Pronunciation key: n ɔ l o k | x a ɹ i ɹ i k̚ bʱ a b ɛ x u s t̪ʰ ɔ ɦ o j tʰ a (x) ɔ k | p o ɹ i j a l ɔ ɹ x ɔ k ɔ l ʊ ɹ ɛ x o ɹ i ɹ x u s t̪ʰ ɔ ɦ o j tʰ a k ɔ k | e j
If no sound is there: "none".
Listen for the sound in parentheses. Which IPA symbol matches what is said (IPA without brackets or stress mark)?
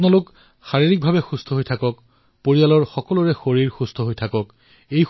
k